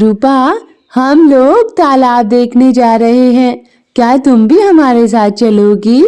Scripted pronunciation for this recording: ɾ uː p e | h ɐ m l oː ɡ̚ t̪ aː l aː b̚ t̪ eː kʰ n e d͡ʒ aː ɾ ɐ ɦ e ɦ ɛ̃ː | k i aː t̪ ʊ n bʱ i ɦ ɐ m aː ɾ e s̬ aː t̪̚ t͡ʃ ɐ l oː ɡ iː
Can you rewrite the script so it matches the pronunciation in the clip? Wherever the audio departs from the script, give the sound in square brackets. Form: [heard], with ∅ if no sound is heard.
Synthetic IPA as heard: ɾ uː p [a] | h ɐ m l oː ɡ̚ t̪ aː l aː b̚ [d̪] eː kʰ n e d͡ʒ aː ɾ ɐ ɦ e ɦ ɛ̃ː | k [j] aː t̪ ʊ [m] bʱ i ɦ ɐ m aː ɾ e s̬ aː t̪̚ t͡ʃ ɐ l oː ɡ iː

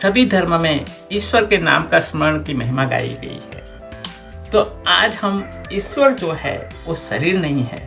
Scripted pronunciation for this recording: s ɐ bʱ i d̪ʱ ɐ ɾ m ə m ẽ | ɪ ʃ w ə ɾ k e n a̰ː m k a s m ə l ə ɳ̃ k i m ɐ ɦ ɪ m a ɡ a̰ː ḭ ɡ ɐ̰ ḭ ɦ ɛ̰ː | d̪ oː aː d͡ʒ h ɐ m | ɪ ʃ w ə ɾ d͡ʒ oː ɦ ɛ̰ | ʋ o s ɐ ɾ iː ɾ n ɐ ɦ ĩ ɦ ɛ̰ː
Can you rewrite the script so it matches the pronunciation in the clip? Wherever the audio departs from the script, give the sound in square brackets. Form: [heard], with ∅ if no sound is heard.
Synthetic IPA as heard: s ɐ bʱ i d̪ʱ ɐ ɾ m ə m ẽ | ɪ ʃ w ə ɾ k e n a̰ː m k a s m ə [ɾ] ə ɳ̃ k i m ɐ ɦ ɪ m a ɡ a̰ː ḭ ɡ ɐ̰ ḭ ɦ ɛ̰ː | [t̪] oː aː d͡ʒ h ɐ m | ɪ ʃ w ə ɾ d͡ʒ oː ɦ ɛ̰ | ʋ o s ɐ ɾ iː ɾ n ɐ ɦ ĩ ɦ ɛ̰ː

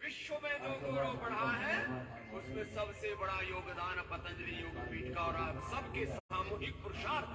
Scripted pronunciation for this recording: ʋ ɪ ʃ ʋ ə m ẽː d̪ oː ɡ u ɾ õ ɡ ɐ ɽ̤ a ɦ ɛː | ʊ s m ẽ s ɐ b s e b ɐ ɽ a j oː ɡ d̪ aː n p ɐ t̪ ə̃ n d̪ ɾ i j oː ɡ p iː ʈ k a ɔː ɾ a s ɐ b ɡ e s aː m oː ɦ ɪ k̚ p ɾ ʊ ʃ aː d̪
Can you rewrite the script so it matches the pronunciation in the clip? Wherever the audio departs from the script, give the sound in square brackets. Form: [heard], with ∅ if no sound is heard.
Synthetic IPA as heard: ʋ ɪ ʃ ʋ ə m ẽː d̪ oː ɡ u ɾ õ [b] ɐ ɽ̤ a ɦ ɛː | ʊ s m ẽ s ɐ b s e b ɐ ɽ a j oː ɡ d̪ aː n p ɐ t̪ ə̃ n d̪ ɾ i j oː ɡ p iː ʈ k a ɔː ɾ a s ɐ b [k] e s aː m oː ɦ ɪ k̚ p ɾ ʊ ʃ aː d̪

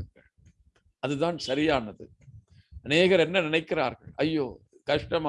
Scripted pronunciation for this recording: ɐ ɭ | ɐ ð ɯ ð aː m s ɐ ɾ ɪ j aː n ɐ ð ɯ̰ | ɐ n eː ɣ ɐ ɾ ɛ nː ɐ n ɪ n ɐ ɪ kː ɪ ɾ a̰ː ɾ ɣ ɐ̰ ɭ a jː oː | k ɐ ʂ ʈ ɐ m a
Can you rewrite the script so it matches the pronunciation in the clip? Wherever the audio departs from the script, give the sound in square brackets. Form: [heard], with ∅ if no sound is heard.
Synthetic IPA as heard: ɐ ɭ | ɐ ð ɯ ð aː [n] s ɐ ɾ ɪ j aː n ɐ ð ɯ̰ | ɐ n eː ɣ ɐ ɾ ɛ nː ɐ n ɪ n ɐ ɪ kː ɪ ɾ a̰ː ɾ ɣ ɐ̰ ɭ [ɐ] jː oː | k ɐ ʂ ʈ ɐ m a

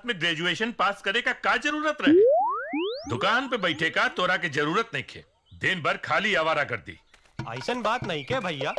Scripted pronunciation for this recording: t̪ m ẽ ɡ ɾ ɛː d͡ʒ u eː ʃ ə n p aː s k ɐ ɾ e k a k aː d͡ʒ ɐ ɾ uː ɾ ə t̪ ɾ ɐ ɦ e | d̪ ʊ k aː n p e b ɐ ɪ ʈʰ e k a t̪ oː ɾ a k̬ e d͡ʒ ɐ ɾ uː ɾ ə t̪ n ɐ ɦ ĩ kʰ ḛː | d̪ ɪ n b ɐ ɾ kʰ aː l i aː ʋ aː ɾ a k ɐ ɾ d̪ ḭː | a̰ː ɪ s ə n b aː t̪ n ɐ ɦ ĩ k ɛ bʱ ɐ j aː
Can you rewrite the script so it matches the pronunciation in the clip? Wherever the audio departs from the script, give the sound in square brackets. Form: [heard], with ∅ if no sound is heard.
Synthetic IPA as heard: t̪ m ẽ ɡ ɾ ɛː d͡ʒ u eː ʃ ə n p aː s k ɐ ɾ e k a k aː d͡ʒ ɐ ɾ uː ɾ ə t̪ ɾ ɐ ɦ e | d̪ ʊ k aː n p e b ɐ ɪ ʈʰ e k a t̪ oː ɾ a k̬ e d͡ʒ ɐ ɾ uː ɾ ə t̪ n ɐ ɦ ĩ kʰ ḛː | d̪ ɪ n b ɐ ɾ kʰ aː l i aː ʋ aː ɾ a k ɐ ɾ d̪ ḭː | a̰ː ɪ s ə n b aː t̪ n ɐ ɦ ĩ k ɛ bʱ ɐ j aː

